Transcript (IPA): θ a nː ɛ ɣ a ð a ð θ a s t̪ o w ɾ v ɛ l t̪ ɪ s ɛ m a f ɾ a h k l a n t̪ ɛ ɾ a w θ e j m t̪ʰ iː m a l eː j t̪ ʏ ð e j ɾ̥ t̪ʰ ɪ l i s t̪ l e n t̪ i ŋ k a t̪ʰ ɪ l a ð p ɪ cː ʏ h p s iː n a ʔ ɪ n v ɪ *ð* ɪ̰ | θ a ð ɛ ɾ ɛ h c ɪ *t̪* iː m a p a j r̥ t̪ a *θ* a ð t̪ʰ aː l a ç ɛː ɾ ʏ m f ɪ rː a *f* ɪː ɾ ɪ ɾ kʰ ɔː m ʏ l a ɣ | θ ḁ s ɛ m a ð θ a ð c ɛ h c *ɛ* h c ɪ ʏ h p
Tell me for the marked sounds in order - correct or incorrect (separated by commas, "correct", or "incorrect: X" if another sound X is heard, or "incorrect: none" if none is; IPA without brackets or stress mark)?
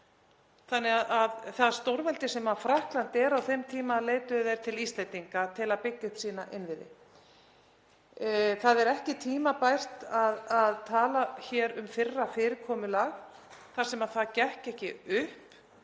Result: correct, incorrect: t̪ʰ, incorrect: ð, correct, correct